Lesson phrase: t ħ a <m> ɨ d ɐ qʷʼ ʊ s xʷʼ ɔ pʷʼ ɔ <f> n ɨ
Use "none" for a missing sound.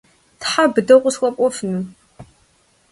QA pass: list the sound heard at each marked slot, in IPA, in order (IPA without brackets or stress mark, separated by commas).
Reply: b, f